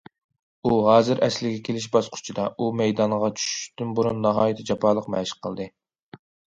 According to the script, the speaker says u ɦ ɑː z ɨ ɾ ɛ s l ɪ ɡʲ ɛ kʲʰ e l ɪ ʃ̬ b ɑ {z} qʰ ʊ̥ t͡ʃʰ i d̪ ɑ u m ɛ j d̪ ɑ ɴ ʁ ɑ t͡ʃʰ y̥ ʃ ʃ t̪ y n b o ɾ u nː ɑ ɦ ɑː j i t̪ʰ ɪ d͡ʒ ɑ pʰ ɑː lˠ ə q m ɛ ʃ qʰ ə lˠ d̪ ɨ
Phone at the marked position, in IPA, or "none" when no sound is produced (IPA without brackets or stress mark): s